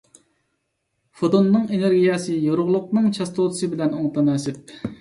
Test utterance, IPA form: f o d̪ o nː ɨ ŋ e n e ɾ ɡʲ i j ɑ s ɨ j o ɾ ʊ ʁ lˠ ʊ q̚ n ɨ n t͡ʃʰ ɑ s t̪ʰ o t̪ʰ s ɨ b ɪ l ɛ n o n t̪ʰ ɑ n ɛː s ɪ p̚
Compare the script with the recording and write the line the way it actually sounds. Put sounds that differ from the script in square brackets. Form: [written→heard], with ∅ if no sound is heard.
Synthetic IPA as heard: f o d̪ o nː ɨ ŋ e n e ɾ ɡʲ i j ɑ s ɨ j o ɾ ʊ ʁ lˠ ʊ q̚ n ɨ [n→ŋ] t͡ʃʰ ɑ s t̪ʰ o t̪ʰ s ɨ b ɪ l ɛ n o [n→ŋ] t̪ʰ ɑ n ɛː s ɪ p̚

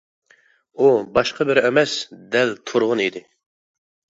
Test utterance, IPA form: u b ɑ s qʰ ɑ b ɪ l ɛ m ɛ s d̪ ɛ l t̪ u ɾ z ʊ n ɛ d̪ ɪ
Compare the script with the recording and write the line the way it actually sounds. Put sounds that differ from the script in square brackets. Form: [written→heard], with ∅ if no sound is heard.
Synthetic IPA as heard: u b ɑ [s→ʃ] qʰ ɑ b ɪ [l→ɾ] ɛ m ɛ s d̪ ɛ l [t̪→t̪ʰ] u ɾ [z→ʁ] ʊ n [ɛ→i] d̪ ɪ

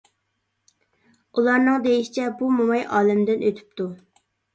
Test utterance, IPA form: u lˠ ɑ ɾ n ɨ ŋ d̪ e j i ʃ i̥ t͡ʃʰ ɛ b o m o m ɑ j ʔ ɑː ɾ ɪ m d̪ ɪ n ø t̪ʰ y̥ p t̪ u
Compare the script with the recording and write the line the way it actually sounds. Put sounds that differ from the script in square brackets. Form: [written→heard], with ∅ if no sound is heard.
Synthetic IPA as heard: u lˠ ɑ ɾ n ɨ ŋ d̪ e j i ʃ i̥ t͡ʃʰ ɛ b [o→u] m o m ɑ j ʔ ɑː [ɾ→l] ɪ m d̪ ɪ n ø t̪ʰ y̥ p t̪ u

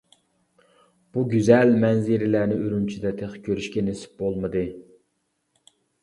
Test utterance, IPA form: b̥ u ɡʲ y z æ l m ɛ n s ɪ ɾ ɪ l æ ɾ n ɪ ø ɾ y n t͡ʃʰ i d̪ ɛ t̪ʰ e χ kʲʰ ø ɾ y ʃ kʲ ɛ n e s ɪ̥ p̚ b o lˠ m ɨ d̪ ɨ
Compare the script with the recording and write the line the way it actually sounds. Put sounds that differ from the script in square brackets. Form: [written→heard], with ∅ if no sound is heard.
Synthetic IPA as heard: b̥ u ɡʲ y z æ l m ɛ n [s→z] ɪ ɾ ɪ l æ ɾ n ɪ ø ɾ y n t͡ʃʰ i d̪ ɛ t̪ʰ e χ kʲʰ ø ɾ y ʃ kʲ ɛ n e s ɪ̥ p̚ b o lˠ m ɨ d̪ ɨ

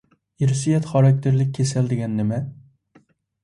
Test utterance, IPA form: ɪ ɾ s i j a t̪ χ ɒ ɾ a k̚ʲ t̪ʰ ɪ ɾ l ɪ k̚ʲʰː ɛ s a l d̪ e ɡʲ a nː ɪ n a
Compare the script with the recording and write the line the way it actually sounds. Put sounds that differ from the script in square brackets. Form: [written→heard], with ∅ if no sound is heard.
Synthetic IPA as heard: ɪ ɾ s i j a t̪ χ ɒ ɾ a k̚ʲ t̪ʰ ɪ ɾ l ɪ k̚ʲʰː [ɛ→e] s a l d̪ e ɡʲ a nː ɪ [n→m] a

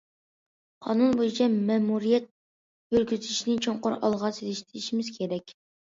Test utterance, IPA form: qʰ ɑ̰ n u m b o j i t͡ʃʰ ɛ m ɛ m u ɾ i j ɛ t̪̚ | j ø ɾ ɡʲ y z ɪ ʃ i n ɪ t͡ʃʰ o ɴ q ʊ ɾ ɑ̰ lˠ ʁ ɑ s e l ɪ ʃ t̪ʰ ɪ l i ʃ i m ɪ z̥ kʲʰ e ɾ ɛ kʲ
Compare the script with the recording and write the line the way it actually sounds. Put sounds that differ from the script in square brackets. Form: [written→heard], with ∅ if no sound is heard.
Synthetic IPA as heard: qʰ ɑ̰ n u [m→n] b o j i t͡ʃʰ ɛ m ɛ m u ɾ i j ɛ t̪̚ | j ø ɾ ɡʲ y z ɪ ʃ i n ɪ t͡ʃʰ o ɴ q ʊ ɾ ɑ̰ lˠ ʁ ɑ s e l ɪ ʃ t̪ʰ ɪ [l→ɾ] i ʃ i m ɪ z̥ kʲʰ e ɾ ɛ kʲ

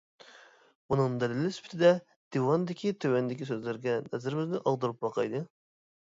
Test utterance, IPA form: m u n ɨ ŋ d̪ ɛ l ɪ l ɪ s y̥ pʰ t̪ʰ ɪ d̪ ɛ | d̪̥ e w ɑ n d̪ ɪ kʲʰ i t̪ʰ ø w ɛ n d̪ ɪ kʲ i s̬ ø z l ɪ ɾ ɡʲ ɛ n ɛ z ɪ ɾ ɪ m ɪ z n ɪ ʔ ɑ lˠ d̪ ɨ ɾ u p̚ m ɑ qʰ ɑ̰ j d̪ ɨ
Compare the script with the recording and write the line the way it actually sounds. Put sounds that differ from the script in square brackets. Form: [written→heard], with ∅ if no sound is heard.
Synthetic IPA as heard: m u n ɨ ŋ d̪ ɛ l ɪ l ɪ s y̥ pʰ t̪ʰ ɪ d̪ ɛ | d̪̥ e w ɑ n d̪ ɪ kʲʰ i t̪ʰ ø w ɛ n d̪ ɪ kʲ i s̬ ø z l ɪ ɾ ɡʲ ɛ n ɛ z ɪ ɾ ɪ m ɪ z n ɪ ʔ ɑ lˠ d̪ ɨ ɾ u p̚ [m→b] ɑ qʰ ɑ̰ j d̪ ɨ

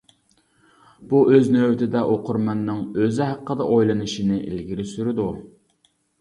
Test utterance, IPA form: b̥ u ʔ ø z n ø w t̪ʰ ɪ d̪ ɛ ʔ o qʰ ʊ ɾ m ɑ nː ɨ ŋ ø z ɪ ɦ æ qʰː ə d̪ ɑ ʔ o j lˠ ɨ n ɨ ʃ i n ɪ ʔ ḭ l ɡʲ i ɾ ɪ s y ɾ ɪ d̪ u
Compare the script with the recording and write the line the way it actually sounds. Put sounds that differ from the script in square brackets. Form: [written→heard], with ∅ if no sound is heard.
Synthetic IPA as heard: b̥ u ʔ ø z n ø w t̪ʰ ɪ d̪ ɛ ʔ o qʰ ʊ ɾ m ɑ nː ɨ ŋ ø z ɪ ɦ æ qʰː ə d̪ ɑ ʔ o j lˠ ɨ n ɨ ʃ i n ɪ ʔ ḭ l ɡʲ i ɾ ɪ s y ɾ ɪ d̪ u

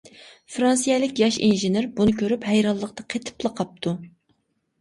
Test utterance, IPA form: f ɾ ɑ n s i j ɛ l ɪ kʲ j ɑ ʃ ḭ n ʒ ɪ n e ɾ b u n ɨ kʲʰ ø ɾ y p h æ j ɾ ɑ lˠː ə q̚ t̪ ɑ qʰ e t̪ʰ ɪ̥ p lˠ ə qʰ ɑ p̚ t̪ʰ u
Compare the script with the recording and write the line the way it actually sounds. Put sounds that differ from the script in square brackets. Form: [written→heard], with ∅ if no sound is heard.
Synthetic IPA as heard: f ɾ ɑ n s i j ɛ l ɪ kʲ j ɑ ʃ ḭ n ʒ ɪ n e ɾ b u n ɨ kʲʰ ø ɾ y p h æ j ɾ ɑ lˠː ə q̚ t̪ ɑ qʰ e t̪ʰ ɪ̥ p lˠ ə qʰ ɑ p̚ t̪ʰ u

